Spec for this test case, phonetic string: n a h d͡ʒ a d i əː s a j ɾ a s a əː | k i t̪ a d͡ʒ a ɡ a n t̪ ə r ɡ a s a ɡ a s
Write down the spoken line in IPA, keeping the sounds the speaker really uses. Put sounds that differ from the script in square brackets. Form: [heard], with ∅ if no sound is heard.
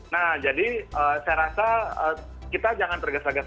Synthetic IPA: n a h d͡ʒ a d i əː s a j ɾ a s a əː | k i t̪ a d͡ʒ a [ŋ] a n t̪ ə r ɡ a s a ɡ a s